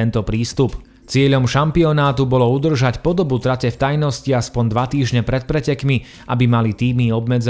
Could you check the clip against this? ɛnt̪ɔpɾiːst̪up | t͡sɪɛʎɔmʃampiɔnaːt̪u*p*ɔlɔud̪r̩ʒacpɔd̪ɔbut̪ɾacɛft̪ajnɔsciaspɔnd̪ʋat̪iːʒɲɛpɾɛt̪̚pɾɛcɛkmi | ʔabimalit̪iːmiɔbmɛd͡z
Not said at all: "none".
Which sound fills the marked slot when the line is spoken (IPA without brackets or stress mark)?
b